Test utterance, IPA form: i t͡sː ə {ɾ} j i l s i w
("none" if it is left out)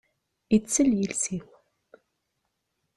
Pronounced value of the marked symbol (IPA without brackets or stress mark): l